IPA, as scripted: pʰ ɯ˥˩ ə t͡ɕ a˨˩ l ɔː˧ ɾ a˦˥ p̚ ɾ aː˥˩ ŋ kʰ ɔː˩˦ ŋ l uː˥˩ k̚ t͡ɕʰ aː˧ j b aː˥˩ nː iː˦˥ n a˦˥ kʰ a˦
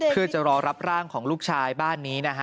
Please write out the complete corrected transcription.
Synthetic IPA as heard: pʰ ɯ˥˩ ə t͡ɕ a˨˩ ɾ ɔː˧ ɾ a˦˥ p̚ ɾ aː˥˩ ŋ kʰ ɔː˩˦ ŋ l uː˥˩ k̚ t͡ɕʰ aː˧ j b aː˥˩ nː iː˦˥ n a˦˥ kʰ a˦